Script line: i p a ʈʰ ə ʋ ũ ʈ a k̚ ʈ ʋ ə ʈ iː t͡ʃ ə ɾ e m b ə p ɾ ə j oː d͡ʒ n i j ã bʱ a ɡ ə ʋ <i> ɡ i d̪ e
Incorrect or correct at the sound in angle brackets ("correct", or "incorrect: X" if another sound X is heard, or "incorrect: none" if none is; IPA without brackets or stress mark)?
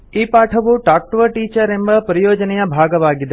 incorrect: a